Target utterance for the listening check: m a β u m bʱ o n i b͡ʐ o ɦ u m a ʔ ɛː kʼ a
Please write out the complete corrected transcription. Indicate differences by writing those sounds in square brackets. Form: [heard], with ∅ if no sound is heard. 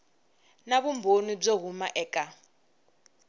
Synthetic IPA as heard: [n] a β u m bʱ o n i b͡ʐ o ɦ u m a ʔ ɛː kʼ a

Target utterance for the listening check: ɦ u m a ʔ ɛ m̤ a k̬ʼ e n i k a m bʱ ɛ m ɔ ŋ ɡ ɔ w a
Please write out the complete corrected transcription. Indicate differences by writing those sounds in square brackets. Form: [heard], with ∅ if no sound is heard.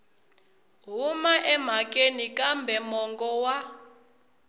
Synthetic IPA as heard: ɦ u m a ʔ ɛ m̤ a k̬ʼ e n i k a m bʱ ɛ m ɔ ŋ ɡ ɔ w a

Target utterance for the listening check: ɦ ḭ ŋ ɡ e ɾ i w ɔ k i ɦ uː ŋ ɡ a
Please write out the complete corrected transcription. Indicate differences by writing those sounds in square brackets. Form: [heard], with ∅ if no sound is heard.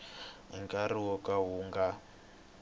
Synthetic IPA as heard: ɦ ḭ ŋ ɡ [a] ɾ i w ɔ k [a] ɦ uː ŋ ɡ a

